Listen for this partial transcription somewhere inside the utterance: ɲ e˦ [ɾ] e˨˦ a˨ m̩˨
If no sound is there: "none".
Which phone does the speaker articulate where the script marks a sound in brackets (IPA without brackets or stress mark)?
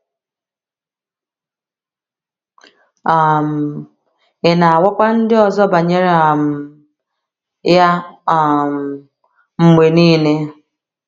ɾ